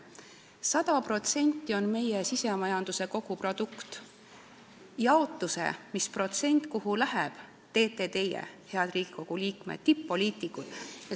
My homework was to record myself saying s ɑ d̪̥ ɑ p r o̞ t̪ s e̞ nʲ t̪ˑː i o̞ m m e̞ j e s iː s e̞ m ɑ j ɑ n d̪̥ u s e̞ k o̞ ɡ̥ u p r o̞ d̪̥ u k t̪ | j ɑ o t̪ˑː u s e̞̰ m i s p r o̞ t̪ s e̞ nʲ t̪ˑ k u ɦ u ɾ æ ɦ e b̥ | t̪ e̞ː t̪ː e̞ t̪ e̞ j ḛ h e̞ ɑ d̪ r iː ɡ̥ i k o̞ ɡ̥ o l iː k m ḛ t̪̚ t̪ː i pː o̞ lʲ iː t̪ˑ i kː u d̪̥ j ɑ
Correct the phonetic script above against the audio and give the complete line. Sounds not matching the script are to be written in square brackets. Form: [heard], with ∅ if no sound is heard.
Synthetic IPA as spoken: s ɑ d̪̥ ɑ p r o̞ t̪ s e̞ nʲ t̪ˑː i o̞ [n] m e̞ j e s [i] s e̞ m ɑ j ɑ n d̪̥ u s e̞ k o̞ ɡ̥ u p r o̞ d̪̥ u k t̪ | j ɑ o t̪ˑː u s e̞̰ m i s p r o̞ t̪ s e̞ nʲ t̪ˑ k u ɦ u [l] æ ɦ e b̥ | t̪ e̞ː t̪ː e̞ t̪ e̞ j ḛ h e̞ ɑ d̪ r iː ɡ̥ i k o̞ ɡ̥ [u] l iː k m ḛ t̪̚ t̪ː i pː o̞ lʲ iː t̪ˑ i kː u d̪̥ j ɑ

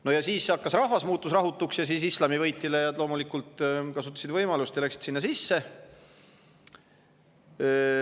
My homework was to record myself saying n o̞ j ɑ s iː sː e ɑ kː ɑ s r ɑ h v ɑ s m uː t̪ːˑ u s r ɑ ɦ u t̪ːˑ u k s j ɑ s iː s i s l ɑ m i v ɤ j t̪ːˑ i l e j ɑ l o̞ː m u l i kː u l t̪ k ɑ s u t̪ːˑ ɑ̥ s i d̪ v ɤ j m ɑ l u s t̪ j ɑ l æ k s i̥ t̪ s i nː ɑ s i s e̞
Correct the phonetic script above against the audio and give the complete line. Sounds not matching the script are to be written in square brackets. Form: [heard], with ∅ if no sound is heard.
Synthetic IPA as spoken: n o̞ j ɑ s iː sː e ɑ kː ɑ s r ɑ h v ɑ s m uː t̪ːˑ u s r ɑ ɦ u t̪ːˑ u k s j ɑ s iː s i s l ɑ m i v ɤ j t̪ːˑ i l e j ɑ l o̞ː m u l i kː u l t̪ k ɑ s u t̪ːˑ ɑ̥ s i d̪ v ɤ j m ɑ l u s t̪ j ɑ l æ k s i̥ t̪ s i nː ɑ s i [sː] e̞

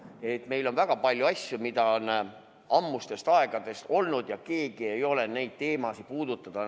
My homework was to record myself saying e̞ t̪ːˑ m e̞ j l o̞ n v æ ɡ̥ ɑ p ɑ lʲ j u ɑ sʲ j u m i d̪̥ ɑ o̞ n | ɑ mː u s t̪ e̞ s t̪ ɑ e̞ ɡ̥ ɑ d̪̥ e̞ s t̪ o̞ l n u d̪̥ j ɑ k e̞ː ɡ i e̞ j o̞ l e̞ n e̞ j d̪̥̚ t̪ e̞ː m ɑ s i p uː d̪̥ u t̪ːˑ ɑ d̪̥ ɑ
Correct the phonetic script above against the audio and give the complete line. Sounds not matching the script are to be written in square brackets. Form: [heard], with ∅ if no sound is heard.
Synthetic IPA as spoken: e̞ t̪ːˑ m e̞ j l o̞ n v æ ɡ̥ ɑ p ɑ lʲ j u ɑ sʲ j u m i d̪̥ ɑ o̞ n | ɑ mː u s t̪ e̞ s t̪ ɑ e̞ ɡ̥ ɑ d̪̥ e̞ s t̪ o̞ l n u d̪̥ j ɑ k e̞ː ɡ i e̞ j o̞ l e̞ n e̞ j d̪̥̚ t̪ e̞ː m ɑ s i p uː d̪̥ u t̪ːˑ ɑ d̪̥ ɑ

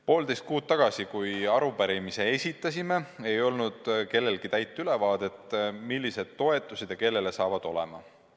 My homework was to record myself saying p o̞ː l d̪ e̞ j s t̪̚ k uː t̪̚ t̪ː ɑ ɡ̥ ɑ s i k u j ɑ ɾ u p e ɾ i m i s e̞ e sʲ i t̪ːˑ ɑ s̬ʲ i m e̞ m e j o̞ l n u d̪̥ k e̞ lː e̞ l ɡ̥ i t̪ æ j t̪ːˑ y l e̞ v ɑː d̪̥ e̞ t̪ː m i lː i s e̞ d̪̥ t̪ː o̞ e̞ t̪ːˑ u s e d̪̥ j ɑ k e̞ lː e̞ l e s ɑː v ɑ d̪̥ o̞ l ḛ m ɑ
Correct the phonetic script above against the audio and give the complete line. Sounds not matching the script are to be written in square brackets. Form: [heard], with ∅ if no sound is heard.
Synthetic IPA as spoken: p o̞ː l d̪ e̞ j s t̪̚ k uː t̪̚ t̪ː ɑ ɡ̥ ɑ s i k u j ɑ ɾ u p [æ] ɾ i m i s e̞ e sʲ i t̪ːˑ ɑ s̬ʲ i m e̞ [∅] e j o̞ l n u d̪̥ k e̞ lː e̞ l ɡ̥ i t̪ æ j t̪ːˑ y l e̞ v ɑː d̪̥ e̞ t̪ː m i lː i s e̞ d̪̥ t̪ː o̞ e̞ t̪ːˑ u s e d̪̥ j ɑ k e̞ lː e̞ l e s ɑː v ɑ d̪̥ o̞ l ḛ m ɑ

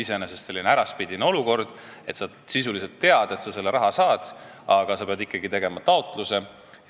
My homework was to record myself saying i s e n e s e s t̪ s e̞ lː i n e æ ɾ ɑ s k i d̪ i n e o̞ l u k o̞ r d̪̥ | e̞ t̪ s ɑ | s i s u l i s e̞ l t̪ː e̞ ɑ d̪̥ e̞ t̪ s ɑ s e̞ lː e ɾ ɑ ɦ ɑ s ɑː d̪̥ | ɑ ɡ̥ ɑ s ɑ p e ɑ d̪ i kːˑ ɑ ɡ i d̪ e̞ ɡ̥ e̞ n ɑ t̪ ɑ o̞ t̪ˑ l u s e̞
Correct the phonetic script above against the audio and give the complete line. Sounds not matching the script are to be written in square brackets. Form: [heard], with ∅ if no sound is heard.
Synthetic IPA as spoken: i s e n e s e s t̪ s e̞ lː i n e æ ɾ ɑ s [p] i d̪ i n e o̞ l u k o̞ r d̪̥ | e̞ t̪ s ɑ | s i s u l i s e̞ l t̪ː e̞ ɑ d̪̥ e̞ t̪ s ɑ s e̞ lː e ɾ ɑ ɦ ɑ s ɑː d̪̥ | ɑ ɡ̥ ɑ s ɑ p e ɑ d̪ i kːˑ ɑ ɡ i [t̪] e̞ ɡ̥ e̞ [m] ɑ t̪ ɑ o̞ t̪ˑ l u s e̞

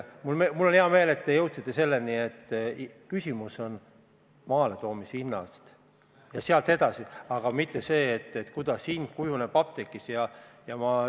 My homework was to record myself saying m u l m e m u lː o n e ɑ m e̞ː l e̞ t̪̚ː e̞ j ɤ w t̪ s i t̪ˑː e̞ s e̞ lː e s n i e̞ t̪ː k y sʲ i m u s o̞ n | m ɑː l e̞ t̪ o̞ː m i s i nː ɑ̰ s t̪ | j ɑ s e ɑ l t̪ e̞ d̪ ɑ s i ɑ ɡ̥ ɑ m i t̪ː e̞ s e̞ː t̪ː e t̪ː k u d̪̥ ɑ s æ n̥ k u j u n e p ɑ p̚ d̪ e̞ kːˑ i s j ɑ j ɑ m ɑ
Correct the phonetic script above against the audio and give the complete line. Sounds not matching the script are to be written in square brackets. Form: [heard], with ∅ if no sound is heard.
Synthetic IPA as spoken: m u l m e m u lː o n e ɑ m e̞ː l e̞ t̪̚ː e̞ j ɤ w t̪ s i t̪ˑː e̞ s e̞ lː e [∅] n i e̞ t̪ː k y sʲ i m u s o̞ n | m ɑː l e̞ t̪ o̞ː m i s i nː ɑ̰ s t̪ | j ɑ s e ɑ l t̪ e̞ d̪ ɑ s i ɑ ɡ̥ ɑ m i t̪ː e̞ s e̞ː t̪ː e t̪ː k u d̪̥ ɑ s [i] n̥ k u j u n e p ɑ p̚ [t̪] e̞ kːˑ i s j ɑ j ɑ m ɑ

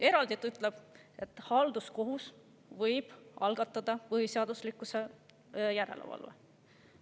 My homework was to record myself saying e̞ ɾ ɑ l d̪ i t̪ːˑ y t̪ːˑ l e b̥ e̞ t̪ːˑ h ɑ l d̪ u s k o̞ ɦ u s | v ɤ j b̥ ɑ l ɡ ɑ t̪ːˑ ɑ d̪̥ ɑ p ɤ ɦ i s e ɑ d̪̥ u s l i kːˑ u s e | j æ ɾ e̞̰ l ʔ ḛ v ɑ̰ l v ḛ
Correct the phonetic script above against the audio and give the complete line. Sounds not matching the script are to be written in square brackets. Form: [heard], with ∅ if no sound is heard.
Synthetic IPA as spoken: e̞ ɾ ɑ l d̪ i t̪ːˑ y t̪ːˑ l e b̥ e̞ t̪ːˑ h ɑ l d̪ u s k o̞ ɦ u s | v ɤ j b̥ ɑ l ɡ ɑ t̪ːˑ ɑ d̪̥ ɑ p ɤ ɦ i s e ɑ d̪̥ u s l i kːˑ u s e | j æ ɾ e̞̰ l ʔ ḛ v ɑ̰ l v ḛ

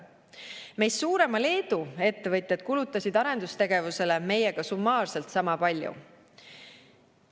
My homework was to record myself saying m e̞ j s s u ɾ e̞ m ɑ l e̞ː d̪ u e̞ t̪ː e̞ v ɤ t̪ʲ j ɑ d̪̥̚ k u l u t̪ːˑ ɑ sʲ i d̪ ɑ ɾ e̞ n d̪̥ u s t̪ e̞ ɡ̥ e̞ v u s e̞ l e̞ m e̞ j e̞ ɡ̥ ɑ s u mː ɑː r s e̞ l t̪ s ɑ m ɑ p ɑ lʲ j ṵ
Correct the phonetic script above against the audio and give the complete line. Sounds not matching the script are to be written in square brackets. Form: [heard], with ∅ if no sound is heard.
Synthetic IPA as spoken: m e̞ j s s [uː] ɾ e̞ m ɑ l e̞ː d̪ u e̞ t̪ː e̞ v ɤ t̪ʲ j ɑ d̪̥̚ k u l u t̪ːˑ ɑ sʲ i d̪ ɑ ɾ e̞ n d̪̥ u s t̪ e̞ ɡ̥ e̞ v u s e̞ l e̞ m e̞ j e̞ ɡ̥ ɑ s u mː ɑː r s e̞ l t̪ s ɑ m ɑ p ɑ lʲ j ṵ

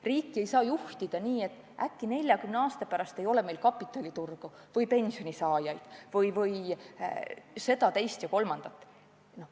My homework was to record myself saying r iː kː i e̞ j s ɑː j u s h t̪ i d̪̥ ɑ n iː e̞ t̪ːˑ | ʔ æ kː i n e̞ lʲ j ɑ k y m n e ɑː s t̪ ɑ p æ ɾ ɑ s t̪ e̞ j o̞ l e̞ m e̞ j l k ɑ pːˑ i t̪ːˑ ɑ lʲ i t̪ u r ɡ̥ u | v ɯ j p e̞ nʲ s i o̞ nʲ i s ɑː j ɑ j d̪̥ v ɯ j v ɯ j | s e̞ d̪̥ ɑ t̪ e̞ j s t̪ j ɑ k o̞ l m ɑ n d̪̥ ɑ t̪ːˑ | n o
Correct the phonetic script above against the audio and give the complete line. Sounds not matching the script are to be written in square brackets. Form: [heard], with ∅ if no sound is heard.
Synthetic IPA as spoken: r iː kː i e̞ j s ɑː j u [∅] h t̪ i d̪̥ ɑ n iː e̞ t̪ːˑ | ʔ æ kː i n e̞ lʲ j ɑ k y m n e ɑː s t̪ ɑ p æ ɾ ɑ s t̪ e̞ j o̞ l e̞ m e̞ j l k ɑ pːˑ i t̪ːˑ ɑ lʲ i t̪ u r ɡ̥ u | v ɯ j p e̞ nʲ s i o̞ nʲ i s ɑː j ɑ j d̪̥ v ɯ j v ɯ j | s e̞ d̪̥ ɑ t̪ e̞ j s t̪ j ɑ k o̞ l m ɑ n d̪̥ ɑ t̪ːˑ | n o

